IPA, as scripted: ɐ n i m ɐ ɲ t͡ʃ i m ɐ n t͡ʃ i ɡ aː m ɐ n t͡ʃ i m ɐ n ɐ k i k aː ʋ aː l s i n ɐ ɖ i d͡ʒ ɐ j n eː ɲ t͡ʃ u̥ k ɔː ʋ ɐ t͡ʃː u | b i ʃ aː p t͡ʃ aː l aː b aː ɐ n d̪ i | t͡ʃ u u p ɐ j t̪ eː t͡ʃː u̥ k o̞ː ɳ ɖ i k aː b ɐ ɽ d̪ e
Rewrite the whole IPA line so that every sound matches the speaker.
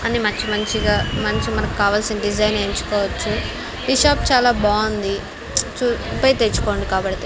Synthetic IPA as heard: ɐ n i m ɐ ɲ t͡ʃ i m ɐ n t͡ʃ i ɡ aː m ɐ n t͡ʃ i m ɐ n ɐ k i k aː ʋ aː l s i n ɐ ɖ i d͡ʒ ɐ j n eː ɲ t͡ʃ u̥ k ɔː ʋ ɐ t͡ʃː u | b i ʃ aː p t͡ʃ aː l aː b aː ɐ n d̪ i | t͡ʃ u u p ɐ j t̪ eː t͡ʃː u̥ k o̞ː ɳ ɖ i k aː b ɐ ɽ t̪ e